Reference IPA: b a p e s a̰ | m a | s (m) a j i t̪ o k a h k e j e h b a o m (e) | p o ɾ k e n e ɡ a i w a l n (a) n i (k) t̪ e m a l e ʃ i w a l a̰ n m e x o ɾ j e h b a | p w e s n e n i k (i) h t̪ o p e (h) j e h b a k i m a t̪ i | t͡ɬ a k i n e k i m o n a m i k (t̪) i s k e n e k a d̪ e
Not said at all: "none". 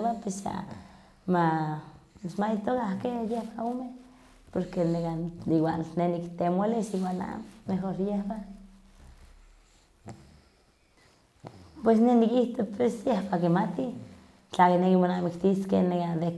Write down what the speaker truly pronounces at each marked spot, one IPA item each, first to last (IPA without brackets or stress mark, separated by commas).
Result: m, e, e, k, i, s, t̪